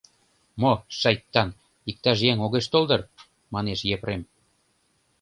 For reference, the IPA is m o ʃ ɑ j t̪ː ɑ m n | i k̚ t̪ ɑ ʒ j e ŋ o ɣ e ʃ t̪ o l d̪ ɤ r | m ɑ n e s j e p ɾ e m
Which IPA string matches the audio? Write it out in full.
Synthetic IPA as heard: m o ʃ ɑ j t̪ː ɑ n | i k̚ t̪ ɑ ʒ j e ŋ o ɣ e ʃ t̪ o l d̪ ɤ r | m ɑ n e ʃ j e p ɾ e m